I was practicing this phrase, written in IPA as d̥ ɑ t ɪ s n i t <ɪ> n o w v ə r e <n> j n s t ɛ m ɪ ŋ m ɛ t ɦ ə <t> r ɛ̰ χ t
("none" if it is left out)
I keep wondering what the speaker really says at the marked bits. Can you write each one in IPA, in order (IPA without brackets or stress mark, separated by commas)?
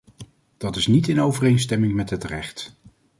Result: ɪ, none, t